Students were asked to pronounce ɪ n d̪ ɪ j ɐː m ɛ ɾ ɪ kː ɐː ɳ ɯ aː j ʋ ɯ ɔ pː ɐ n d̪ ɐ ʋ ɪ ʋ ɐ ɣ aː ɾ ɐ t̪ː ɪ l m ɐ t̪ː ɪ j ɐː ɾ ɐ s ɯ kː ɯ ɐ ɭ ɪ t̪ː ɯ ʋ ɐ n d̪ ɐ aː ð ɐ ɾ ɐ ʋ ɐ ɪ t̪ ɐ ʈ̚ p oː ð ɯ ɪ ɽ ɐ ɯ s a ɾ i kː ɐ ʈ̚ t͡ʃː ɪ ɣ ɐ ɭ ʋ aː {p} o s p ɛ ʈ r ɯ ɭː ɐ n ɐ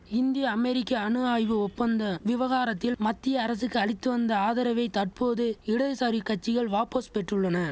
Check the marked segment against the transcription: correct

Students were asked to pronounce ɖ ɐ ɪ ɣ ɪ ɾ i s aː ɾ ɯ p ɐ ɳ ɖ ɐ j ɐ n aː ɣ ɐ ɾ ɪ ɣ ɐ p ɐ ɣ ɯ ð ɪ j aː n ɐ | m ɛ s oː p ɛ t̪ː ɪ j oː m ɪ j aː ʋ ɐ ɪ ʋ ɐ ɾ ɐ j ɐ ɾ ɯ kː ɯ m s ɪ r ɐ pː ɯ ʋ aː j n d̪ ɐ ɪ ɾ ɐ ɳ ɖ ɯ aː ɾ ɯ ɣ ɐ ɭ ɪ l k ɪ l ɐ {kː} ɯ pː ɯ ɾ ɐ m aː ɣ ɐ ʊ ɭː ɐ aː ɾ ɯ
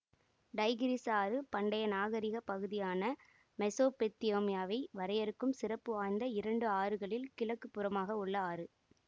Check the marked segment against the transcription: correct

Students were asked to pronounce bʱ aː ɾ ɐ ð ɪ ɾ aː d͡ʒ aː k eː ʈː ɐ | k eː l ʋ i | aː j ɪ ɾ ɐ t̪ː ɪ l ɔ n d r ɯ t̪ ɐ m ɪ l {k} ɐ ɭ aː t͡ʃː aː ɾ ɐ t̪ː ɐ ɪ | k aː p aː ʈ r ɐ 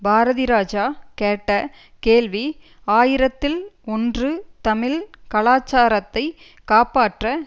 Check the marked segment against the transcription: correct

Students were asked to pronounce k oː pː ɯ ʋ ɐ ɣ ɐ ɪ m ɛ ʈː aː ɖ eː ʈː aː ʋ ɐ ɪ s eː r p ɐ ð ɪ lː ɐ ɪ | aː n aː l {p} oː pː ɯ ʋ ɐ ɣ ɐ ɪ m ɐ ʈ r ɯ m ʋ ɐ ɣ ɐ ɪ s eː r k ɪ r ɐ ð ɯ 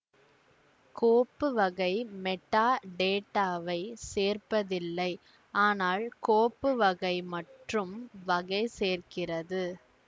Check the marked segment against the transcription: incorrect: k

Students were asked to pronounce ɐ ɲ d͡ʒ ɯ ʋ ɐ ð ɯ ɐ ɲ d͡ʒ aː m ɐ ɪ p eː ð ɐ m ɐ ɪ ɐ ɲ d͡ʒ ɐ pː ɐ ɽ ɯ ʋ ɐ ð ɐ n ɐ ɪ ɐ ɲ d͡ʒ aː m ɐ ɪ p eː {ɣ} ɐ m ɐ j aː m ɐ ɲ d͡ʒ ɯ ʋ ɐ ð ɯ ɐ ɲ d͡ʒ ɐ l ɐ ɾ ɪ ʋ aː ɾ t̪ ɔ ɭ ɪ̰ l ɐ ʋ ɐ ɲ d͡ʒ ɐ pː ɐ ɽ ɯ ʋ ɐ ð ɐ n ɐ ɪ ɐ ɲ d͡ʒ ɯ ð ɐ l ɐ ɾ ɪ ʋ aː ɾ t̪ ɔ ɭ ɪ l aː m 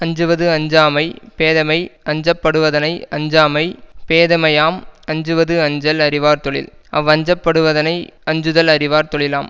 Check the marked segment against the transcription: incorrect: ð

